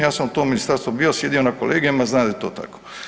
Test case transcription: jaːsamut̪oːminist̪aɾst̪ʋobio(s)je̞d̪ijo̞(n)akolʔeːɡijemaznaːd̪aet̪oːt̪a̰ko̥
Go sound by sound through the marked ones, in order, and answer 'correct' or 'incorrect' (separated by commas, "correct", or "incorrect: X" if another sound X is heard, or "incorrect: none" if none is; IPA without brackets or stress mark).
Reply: correct, correct